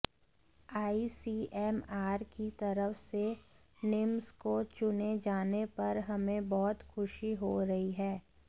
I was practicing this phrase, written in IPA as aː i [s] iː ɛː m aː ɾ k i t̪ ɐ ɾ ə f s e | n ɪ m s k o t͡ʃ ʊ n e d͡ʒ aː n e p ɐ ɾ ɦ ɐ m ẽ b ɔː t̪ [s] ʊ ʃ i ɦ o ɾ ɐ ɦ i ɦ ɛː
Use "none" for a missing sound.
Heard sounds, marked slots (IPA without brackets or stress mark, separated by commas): s, x